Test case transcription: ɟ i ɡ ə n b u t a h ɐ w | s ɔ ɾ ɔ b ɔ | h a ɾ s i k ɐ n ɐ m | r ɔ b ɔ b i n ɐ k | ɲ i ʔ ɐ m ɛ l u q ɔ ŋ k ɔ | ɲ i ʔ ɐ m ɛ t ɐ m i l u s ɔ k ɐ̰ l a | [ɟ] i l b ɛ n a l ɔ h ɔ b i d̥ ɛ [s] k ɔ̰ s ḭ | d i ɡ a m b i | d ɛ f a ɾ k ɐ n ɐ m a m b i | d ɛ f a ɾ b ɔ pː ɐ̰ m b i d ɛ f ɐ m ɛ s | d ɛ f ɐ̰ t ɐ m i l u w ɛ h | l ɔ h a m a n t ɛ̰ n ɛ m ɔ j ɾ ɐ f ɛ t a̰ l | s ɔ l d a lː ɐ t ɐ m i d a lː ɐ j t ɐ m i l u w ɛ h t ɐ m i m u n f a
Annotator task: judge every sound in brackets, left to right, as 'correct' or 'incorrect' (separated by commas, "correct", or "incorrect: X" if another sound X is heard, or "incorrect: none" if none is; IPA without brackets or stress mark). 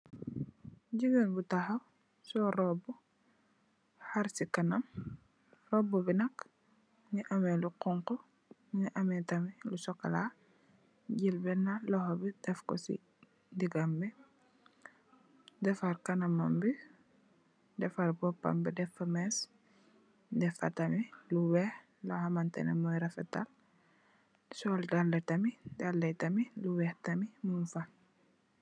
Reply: correct, incorrect: f